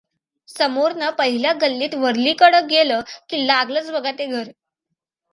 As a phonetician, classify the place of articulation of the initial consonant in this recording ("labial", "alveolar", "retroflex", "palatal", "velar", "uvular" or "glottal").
alveolar